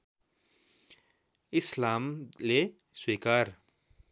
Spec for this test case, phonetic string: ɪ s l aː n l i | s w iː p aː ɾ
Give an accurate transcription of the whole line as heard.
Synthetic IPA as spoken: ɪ s l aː m l e | s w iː k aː ɾ